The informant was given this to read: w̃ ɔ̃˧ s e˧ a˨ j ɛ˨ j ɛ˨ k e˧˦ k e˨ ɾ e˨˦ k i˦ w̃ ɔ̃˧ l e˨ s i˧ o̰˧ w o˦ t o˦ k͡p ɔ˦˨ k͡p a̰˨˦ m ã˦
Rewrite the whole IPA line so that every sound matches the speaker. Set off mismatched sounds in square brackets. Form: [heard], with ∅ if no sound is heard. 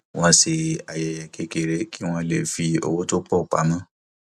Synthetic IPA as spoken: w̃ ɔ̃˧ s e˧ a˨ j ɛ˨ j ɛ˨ k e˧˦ k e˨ ɾ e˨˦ k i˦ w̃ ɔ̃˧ l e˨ [f] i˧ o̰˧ w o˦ t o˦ k͡p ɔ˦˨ k͡p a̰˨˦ m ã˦